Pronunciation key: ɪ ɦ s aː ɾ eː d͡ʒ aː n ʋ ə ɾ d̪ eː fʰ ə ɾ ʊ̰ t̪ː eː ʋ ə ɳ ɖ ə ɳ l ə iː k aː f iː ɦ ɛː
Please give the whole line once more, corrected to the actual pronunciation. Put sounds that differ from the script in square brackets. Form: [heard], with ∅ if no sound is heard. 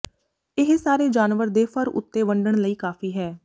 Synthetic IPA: ɪ ɦ s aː ɾ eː d͡ʒ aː n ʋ ə ɾ d̪ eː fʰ ə ɾ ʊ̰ t̪ː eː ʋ ə ɳ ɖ ə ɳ l ə iː k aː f iː ɦ ɛː